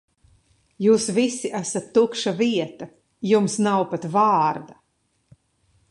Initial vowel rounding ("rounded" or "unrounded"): rounded